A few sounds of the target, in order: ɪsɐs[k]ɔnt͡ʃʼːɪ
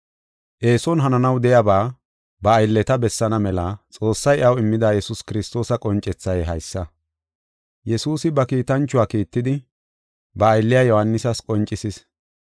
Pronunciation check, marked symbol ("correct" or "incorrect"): incorrect